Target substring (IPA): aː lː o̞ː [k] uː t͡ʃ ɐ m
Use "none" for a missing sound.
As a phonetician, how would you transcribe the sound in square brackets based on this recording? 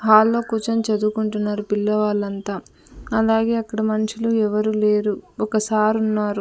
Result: k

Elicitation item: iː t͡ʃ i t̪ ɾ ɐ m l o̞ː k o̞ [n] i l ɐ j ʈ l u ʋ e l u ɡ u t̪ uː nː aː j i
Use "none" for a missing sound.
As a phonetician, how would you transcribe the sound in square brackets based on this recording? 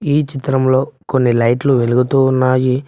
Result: nː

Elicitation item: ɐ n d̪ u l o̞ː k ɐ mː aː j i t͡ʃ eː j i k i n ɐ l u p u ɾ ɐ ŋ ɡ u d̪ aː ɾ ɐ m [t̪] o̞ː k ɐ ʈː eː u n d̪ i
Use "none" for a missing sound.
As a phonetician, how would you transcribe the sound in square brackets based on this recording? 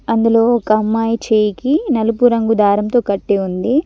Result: t̪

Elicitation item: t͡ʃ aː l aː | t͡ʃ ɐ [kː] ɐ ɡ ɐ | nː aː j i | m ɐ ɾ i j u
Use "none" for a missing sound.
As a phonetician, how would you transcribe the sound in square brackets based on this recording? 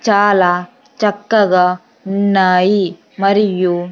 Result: kː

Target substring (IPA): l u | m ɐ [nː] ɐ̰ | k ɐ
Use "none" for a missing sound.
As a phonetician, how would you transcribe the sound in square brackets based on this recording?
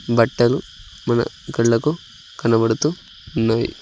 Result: n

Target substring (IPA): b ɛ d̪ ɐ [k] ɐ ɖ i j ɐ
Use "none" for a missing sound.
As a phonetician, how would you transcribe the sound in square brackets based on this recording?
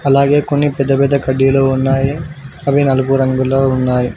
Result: k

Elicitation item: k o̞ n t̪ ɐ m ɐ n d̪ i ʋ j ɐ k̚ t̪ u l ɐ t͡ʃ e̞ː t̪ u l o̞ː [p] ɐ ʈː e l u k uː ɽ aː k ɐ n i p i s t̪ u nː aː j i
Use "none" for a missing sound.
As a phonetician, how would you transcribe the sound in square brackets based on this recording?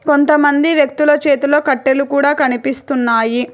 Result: k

